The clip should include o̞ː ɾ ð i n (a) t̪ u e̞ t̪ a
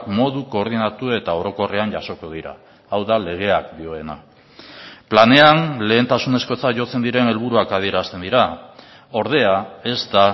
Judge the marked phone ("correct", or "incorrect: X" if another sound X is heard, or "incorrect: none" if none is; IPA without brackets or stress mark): correct